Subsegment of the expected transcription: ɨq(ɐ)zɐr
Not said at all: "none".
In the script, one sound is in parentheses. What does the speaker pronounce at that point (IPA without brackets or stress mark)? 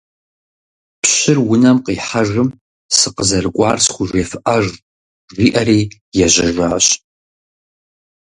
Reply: ə